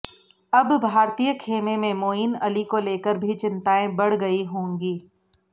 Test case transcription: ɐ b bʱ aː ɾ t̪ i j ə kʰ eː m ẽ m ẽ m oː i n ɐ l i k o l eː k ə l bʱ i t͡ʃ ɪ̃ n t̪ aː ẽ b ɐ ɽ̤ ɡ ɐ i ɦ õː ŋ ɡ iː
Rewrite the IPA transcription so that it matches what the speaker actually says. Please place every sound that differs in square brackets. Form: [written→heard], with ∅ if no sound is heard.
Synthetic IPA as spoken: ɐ b bʱ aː ɾ t̪ i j ə kʰ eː m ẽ m ẽ m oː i n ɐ l i k o l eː k ə [l→ɾ] bʱ i t͡ʃ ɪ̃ n t̪ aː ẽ b ɐ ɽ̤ ɡ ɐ i ɦ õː ŋ ɡ iː